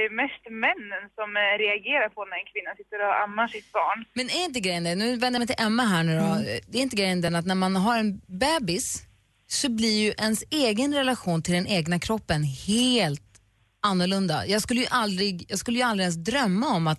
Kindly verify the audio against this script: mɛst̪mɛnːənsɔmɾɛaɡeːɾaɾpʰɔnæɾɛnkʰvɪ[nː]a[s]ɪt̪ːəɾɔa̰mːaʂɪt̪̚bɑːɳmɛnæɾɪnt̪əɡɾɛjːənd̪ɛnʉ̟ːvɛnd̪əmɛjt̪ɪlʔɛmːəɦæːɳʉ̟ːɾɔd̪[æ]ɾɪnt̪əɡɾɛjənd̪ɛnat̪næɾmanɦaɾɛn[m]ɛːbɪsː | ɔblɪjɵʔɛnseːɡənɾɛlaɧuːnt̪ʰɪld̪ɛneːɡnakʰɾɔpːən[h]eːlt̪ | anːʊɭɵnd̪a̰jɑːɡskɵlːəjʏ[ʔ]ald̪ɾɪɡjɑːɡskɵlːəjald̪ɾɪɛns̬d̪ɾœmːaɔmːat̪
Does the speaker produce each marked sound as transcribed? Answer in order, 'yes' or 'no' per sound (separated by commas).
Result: yes, yes, no, no, yes, yes